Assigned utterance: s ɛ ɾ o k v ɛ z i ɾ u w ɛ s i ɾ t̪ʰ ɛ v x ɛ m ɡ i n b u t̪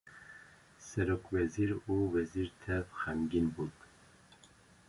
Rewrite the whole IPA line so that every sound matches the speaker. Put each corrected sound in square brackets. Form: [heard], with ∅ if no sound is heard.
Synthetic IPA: s ɛ ɾ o k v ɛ z i ɾ u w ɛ [z] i ɾ t̪ʰ ɛ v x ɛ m ɡ i n b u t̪

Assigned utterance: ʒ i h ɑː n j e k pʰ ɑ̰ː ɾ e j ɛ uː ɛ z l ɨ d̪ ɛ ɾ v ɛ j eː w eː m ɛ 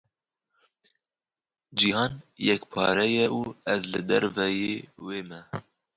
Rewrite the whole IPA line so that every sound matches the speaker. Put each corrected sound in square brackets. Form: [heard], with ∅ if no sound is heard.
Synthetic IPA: [d͡ʒ] i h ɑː n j [ɛ] k pʰ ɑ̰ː ɾ [ɛ] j ɛ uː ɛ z l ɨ d̪ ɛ ɾ v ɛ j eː w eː m ɛ

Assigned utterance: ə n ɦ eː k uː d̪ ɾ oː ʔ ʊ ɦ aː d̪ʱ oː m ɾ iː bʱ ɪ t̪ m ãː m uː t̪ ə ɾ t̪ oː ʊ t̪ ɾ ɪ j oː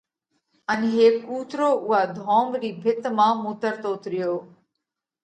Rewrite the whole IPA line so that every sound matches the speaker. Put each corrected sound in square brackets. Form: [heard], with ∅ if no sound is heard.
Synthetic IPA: ə n ɦ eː k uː [t̪] ɾ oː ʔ ʊ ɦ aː d̪ʱ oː m ɾ iː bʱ ɪ t̪ m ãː m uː t̪ ə ɾ t̪ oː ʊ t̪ ɾ ɪ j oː

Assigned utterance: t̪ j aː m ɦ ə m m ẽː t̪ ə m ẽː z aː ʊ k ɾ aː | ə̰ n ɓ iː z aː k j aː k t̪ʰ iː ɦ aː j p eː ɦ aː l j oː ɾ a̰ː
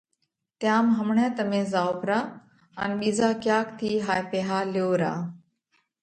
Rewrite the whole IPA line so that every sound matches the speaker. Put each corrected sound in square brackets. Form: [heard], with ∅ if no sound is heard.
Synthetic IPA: t̪ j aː m ɦ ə m [ɳ] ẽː t̪ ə m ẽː z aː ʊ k ɾ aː | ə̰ n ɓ iː z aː k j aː k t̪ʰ iː ɦ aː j p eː ɦ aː l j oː ɾ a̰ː

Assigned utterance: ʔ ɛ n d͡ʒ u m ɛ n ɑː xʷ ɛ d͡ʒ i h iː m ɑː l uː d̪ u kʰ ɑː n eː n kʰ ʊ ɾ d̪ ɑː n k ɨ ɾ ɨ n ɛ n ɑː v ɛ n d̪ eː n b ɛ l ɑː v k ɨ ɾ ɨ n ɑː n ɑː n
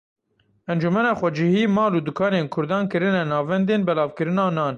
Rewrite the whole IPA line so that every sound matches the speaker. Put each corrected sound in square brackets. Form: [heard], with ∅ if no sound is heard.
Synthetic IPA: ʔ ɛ n d͡ʒ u m ɛ n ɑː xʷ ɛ d͡ʒ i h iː m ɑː l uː d̪ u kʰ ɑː n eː n kʰ ʊ ɾ d̪ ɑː n k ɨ ɾ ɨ n ɛ n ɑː v ɛ n d̪ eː n b ɛ l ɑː v k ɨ ɾ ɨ n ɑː n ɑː n

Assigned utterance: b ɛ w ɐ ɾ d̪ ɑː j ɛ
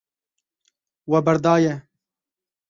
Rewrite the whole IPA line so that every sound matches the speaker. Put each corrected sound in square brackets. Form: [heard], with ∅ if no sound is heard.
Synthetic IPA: [w] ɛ [b] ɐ ɾ d̪ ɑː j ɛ

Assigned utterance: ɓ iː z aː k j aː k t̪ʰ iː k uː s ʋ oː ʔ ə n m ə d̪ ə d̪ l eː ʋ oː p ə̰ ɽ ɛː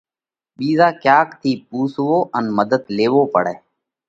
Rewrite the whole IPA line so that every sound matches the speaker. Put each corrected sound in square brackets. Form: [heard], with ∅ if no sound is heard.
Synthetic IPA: ɓ iː z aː k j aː k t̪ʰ iː [p] uː s ʋ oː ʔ ə n m ə d̪ ə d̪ l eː ʋ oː p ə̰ ɽ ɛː

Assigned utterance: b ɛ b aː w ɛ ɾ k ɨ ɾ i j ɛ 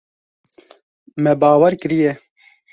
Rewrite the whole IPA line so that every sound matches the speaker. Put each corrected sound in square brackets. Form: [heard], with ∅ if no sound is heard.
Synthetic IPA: [m] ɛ b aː w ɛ ɾ k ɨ ɾ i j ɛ

